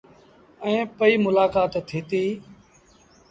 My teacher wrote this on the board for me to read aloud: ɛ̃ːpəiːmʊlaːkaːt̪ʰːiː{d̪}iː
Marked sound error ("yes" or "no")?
yes